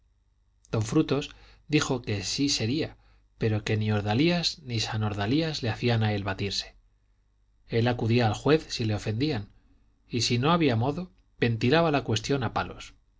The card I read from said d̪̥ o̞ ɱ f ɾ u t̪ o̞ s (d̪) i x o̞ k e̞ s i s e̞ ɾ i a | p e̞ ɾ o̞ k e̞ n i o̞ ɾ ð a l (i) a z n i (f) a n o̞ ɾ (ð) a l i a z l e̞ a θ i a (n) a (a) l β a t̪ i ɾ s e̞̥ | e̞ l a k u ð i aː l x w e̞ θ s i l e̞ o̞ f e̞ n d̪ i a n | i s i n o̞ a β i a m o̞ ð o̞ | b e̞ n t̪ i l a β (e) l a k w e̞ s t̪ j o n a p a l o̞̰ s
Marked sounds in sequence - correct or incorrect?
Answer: correct, correct, incorrect, correct, correct, incorrect, incorrect

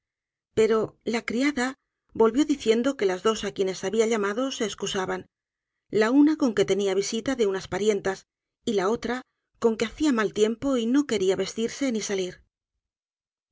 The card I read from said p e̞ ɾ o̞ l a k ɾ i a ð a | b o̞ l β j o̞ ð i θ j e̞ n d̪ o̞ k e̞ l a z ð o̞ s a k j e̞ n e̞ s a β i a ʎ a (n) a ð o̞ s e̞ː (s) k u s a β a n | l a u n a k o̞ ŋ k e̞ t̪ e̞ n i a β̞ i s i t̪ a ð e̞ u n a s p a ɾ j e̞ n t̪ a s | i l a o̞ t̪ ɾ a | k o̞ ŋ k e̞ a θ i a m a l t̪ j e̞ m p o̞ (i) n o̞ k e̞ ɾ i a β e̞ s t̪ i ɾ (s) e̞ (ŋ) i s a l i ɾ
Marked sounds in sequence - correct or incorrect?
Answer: incorrect, correct, correct, correct, incorrect

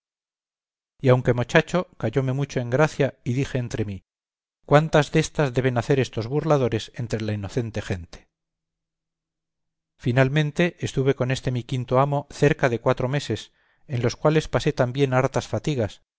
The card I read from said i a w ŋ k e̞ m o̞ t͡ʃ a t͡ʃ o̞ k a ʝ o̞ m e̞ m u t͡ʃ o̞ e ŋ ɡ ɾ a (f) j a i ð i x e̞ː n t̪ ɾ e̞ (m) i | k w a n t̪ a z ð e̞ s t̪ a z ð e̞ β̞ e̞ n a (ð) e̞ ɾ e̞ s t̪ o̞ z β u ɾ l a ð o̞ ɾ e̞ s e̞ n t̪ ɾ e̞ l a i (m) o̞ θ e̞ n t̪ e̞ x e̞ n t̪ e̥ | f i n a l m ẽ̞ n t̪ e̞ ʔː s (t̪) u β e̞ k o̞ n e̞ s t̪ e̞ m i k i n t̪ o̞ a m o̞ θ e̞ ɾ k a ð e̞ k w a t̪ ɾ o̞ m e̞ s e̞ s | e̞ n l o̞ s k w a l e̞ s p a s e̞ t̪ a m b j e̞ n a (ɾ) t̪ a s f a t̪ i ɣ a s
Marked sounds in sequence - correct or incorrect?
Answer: incorrect, correct, incorrect, incorrect, correct, correct

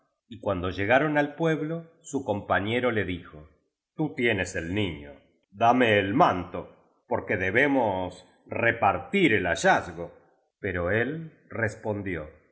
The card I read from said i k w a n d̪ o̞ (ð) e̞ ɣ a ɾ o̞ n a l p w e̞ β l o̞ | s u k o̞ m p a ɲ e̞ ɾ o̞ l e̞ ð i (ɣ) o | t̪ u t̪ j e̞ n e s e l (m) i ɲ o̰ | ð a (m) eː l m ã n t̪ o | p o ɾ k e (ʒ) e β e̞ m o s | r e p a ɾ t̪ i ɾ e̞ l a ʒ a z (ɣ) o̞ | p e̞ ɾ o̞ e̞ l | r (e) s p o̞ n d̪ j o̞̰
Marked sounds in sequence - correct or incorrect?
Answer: incorrect, incorrect, incorrect, correct, incorrect, correct, correct

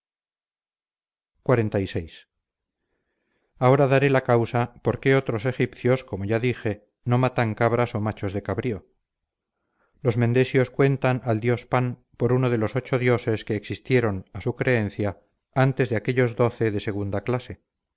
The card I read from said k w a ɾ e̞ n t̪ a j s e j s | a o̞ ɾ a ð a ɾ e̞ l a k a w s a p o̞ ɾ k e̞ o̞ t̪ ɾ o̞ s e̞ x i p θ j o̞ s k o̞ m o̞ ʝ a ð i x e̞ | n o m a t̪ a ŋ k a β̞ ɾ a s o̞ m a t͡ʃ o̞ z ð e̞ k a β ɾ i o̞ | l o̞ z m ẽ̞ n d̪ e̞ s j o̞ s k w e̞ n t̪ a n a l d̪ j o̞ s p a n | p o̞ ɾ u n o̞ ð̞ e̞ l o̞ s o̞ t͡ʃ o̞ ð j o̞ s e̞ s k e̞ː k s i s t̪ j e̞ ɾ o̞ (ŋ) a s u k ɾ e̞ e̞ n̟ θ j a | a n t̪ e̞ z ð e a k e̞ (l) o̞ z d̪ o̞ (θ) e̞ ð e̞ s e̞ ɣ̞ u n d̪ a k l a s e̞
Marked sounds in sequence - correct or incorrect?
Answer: incorrect, incorrect, correct

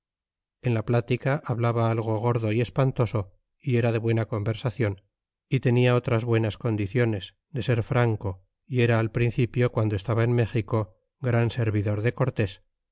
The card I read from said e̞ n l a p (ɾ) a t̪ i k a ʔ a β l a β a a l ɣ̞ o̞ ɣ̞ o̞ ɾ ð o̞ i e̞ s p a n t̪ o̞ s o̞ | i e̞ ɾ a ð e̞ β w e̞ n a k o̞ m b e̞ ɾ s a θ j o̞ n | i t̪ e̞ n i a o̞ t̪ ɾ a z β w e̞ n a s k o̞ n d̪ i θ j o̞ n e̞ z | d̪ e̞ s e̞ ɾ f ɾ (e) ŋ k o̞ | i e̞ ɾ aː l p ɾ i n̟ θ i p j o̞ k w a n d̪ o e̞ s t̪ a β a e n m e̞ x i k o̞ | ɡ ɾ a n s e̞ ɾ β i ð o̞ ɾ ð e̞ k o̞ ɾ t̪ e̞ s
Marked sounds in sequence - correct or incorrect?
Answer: incorrect, incorrect

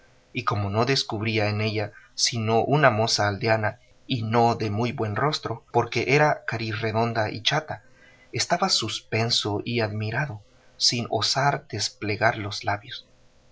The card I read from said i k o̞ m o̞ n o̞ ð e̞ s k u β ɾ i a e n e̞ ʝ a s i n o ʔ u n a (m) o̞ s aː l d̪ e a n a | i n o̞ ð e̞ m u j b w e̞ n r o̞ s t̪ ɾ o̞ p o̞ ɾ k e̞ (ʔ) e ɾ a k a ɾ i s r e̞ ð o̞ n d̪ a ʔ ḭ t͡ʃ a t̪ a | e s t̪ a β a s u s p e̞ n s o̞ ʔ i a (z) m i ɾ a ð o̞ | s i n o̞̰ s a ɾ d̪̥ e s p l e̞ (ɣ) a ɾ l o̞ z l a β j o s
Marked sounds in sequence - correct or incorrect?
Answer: correct, correct, incorrect, correct

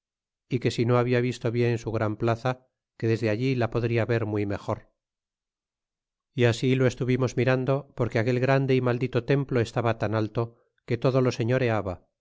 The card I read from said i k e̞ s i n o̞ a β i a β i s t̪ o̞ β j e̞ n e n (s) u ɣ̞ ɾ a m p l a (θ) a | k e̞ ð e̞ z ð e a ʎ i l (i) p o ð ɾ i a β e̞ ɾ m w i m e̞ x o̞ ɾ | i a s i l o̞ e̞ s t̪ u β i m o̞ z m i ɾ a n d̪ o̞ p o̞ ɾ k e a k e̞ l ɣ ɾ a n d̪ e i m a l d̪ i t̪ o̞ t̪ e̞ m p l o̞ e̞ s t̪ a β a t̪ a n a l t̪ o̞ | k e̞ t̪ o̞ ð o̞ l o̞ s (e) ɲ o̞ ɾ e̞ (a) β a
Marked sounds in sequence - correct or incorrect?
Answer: correct, correct, incorrect, correct, correct

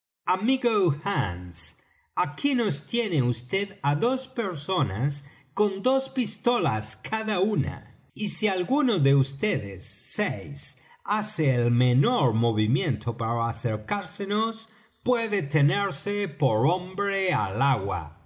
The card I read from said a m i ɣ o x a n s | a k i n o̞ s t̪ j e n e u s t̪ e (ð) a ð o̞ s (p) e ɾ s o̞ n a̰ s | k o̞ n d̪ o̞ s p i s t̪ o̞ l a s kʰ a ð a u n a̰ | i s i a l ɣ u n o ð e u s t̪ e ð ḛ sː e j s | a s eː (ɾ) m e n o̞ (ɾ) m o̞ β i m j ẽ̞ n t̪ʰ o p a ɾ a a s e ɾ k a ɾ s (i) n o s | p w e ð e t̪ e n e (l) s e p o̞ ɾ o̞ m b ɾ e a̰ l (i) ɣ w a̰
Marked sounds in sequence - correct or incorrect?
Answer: correct, correct, incorrect, correct, incorrect, incorrect, incorrect

